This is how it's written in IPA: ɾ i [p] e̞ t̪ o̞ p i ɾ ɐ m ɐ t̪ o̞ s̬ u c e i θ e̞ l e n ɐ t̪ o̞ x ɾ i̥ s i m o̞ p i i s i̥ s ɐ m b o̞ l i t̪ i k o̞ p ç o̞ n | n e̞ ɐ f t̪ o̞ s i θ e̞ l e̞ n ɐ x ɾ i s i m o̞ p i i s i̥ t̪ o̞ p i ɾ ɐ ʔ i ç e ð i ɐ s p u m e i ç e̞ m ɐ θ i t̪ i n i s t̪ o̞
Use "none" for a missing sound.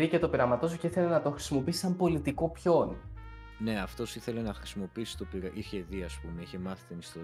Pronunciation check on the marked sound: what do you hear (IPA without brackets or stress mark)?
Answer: c